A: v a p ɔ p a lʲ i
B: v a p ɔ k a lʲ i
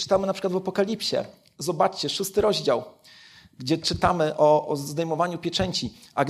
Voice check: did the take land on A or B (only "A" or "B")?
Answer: B